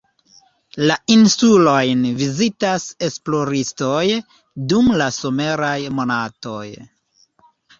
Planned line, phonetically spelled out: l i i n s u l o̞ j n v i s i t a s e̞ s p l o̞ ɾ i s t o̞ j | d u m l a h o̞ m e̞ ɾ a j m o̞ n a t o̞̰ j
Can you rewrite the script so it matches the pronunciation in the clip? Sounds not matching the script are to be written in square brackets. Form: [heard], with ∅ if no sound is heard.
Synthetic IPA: l [a] i n s u l o̞ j n v i [z] i t a s e̞ s p l o̞ ɾ i s t o̞ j | d u m l a [s] o̞ m e̞ ɾ a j m o̞ n a t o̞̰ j